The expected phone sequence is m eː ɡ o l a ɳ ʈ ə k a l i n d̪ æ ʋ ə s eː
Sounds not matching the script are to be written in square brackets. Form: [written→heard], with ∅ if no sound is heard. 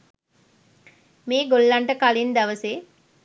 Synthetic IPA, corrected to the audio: m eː ɡ o [l→lː] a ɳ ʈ ə k a l i n d̪ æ ʋ ə s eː